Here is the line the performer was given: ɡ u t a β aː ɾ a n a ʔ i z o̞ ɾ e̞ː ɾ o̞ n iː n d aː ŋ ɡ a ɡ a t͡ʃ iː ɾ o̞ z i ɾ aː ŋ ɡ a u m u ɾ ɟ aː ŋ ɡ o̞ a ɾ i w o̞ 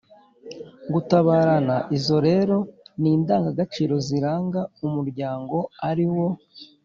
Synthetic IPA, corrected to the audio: ɡ u t a β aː ɾ a n a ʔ i z o̞ ɾ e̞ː ɾ o̞ n iː n d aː ŋ ɡ a ɡ a t͡ʃ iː ɾ o̞ z i ɾ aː ŋ ɡ a u m u ɾ ɟ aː ŋ ɡ o̞ a ɾ i w o̞